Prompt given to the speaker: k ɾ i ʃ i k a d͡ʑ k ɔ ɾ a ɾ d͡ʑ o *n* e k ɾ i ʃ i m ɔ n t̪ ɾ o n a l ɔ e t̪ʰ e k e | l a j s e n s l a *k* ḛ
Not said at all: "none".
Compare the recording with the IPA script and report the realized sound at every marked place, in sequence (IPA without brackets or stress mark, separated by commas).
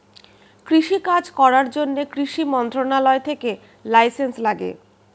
nː, ɡ